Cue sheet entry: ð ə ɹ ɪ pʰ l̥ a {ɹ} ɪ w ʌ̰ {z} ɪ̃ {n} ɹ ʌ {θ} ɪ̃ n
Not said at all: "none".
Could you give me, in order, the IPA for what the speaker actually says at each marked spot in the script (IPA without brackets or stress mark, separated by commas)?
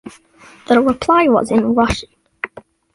none, z, n, ʃ